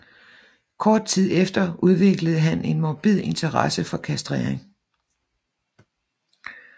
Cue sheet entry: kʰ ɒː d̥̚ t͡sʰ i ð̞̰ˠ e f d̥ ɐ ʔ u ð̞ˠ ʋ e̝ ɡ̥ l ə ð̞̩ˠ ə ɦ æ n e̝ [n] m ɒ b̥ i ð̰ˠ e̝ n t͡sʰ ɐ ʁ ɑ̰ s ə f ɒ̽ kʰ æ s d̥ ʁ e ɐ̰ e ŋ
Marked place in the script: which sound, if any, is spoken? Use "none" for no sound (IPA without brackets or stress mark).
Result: n